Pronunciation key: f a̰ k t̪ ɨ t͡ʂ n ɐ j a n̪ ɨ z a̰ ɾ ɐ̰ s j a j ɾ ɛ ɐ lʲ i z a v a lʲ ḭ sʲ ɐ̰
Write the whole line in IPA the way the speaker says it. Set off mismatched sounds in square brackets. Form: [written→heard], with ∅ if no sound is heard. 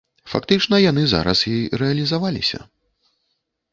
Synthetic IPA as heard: f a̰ k t̪ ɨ t͡ʂ n ɐ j a n̪ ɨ z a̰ ɾ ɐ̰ s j [a→i] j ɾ ɛ ɐ lʲ i z a v a lʲ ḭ sʲ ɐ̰